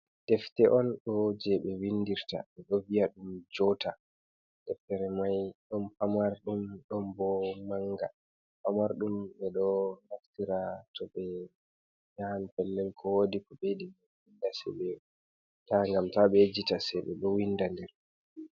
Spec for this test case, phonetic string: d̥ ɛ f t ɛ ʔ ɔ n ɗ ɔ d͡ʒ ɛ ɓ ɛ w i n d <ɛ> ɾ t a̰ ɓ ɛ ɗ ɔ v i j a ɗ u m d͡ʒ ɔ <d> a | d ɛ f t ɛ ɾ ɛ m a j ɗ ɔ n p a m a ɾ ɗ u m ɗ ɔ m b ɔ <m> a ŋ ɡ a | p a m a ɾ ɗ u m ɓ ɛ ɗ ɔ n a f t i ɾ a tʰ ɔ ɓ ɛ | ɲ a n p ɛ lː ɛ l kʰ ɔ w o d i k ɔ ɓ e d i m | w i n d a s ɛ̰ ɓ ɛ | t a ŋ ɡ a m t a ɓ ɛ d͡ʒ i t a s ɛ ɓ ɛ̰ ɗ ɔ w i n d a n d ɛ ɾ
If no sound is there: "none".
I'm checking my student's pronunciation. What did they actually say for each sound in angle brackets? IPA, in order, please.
i, t, m

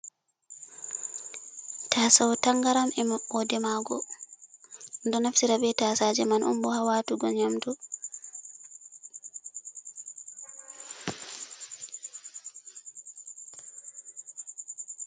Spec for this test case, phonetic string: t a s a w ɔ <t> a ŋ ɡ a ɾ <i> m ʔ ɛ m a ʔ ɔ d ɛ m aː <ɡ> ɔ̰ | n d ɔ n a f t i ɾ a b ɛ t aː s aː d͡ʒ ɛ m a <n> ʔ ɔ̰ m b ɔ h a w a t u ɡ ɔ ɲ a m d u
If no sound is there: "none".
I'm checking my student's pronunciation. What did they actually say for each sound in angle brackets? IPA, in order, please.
t, a, ɡ, n

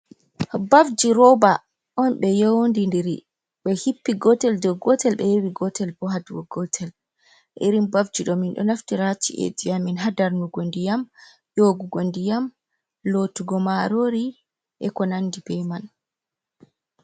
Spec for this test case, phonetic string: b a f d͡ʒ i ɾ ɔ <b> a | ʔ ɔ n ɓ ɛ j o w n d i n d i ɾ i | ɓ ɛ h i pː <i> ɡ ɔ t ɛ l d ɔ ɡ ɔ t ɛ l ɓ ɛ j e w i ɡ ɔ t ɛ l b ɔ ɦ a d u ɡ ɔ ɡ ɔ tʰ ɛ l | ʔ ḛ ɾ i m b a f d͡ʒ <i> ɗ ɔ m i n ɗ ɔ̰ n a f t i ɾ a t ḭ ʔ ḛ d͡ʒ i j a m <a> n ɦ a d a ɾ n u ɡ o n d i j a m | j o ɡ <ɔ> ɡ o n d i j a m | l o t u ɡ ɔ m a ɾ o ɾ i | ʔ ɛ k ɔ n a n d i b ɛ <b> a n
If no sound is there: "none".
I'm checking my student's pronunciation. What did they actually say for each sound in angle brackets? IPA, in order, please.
b, i, i, i, u, m

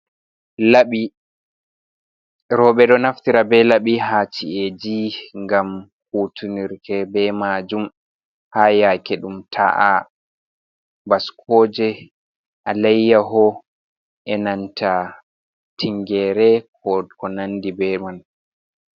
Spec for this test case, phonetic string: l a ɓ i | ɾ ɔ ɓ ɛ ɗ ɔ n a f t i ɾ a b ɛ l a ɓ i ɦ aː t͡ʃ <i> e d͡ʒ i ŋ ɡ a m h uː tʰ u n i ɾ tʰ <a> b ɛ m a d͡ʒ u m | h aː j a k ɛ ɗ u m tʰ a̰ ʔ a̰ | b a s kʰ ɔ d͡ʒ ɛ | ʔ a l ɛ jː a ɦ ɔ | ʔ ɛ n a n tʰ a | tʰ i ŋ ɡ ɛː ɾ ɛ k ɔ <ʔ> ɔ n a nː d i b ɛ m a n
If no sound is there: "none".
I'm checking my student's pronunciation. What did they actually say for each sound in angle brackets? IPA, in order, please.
i, ɛ, k

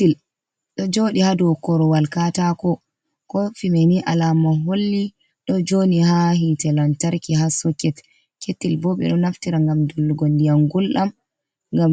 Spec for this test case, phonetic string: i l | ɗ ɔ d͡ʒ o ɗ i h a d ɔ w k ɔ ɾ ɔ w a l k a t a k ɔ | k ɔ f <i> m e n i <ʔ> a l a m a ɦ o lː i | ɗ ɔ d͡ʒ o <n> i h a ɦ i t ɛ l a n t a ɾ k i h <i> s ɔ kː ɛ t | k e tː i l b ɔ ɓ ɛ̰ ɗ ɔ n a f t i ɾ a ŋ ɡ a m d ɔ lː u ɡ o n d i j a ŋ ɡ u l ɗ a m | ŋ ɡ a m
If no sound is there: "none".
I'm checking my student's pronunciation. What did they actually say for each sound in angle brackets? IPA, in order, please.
i, ʔ, n, a

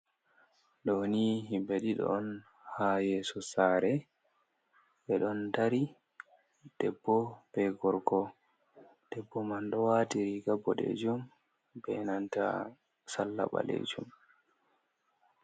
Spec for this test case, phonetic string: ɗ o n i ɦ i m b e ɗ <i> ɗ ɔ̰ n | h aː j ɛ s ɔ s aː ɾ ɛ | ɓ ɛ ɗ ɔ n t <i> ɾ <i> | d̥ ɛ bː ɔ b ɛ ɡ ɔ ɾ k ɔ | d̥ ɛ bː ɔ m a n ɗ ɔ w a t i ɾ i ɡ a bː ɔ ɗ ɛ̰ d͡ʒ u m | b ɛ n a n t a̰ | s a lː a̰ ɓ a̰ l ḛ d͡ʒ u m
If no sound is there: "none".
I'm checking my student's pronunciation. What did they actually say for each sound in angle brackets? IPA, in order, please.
i, a, i

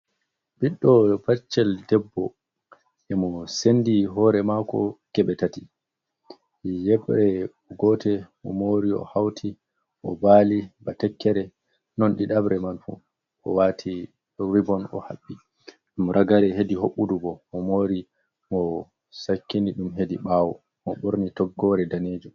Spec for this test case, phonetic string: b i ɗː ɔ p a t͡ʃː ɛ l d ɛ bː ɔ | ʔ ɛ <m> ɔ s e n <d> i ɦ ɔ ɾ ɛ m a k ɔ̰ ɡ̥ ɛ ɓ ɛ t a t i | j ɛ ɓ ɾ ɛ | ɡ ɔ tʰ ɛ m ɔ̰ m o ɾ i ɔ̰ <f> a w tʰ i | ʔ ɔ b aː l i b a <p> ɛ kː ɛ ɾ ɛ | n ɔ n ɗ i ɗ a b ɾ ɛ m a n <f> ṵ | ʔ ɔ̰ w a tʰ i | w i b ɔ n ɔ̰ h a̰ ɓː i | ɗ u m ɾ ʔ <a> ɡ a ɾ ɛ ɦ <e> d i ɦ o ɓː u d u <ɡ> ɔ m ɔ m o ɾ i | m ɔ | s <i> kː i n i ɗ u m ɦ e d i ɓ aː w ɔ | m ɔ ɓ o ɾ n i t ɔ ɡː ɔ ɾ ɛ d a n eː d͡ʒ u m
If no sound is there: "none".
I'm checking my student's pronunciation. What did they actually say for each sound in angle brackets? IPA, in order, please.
m, d, h, t, f, a, e, b, a

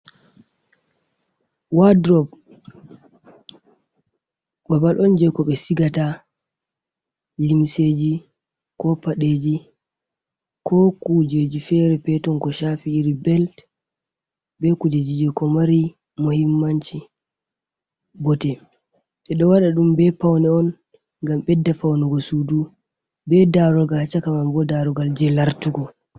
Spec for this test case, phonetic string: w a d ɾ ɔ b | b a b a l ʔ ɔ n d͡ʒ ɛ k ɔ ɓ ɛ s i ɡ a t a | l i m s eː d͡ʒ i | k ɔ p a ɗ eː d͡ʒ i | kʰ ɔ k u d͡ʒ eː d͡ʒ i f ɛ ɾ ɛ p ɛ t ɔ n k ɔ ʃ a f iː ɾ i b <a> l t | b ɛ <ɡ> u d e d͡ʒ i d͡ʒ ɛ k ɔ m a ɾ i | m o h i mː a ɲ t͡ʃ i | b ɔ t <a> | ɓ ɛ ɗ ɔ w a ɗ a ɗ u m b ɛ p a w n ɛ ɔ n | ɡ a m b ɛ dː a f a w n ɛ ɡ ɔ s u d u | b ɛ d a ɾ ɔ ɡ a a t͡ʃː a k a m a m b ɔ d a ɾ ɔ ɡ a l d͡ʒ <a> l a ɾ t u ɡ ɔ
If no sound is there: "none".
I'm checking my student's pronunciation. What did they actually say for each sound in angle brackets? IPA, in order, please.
ɛ, k, ɛ, ɛ

